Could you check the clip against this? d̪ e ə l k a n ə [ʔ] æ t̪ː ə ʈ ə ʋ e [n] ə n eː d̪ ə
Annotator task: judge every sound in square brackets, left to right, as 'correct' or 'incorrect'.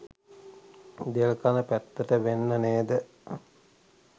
incorrect, incorrect

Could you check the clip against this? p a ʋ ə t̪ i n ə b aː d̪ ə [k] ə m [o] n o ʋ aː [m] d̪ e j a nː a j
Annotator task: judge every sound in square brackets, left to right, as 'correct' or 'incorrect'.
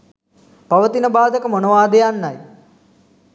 correct, correct, incorrect

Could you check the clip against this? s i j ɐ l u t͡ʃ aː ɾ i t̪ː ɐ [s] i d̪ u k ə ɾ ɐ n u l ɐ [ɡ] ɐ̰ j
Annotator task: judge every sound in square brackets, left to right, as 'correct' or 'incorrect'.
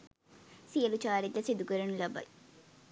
correct, incorrect

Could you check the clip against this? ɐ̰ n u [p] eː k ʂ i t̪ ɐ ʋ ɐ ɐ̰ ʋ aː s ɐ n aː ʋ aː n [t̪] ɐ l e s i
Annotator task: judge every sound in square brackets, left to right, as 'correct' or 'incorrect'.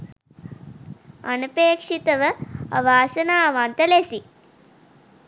correct, correct

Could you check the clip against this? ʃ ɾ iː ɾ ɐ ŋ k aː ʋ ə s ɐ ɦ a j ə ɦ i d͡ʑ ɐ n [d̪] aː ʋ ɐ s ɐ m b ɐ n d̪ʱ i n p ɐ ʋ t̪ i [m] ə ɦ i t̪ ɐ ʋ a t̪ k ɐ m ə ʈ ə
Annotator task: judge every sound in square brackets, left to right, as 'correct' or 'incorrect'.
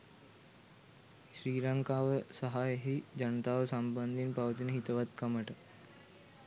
incorrect, incorrect

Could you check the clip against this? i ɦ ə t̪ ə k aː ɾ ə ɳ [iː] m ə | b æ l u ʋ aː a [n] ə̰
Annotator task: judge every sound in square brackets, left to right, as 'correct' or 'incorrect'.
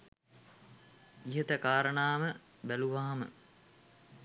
incorrect, incorrect

